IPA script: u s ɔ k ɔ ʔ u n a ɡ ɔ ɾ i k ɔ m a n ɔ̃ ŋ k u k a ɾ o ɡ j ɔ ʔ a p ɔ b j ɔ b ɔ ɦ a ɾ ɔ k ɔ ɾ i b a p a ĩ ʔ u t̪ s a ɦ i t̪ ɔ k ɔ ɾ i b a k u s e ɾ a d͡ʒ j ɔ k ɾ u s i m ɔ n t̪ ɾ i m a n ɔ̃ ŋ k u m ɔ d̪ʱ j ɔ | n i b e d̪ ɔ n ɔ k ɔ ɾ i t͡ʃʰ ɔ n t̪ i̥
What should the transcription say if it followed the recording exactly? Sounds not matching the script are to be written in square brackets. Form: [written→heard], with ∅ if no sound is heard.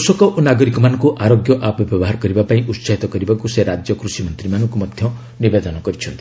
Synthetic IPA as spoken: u s ɔ k ɔ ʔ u n a ɡ ɔ ɾ i k ɔ m a n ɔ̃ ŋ k u [k→ʔ] a ɾ o ɡ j ɔ ʔ a p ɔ b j ɔ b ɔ ɦ a ɾ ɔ k ɔ ɾ i b a p a ĩ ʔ u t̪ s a ɦ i t̪ ɔ k ɔ ɾ i b a k u s e ɾ a d͡ʒ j ɔ k ɾ u s i m ɔ n t̪ ɾ i m a n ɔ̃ ŋ k u m ɔ d̪ʱ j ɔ | n i b e d̪ ɔ n ɔ k ɔ ɾ i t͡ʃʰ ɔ n t̪ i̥